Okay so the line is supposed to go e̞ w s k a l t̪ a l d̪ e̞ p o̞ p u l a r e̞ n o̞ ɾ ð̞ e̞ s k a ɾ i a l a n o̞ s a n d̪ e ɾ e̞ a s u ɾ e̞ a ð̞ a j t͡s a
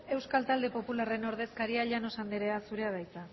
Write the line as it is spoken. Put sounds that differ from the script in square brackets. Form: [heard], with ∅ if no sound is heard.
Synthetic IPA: e̞ w s k a l t̪ a l d̪ e̞ p o̞ p u l a r e̞ n o̞ ɾ ð̞ e̞ s k a ɾ i a [ʎ] a n o̞ s a n d̪ e ɾ e̞ a s u ɾ e̞ a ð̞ a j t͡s a